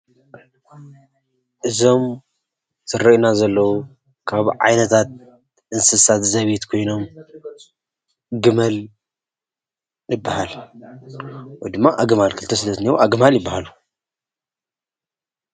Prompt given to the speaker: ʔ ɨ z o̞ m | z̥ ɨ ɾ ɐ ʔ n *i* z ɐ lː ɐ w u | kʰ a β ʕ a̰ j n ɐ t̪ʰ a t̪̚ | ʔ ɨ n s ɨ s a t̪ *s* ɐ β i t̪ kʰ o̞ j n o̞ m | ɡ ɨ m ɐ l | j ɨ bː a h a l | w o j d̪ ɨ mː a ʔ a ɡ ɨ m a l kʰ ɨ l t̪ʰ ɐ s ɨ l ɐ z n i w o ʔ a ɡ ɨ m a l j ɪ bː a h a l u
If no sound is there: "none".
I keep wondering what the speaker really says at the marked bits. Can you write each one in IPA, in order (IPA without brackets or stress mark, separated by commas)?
a, z